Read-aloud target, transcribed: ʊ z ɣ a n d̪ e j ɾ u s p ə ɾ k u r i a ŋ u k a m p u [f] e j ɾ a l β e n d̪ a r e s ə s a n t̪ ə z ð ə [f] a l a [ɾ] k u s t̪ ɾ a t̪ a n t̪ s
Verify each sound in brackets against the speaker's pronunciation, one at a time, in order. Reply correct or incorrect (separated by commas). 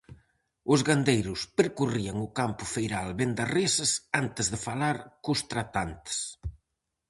correct, correct, correct